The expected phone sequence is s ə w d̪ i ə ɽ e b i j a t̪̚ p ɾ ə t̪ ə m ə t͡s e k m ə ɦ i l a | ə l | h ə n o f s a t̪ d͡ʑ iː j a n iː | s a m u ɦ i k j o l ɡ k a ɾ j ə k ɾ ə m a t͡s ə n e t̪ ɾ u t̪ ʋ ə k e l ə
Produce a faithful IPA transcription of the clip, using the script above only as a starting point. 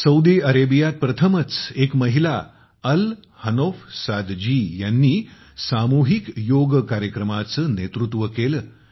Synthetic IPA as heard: s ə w d̪ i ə ɾ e b i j a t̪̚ p ɾ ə t̪ʰ ə m ə t͡s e k m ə ɦ i l a | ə l | h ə n o f s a d̪ d͡ʑ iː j a nː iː | s a m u ɦ i k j o ɡ k a ɾ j ə k ɾ ə m a t͡s ə n e t̪ ɾ u t̪ ʋ ə k e l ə